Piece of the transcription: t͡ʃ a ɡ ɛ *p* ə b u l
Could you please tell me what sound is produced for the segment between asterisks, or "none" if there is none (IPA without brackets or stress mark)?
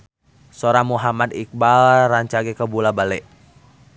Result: k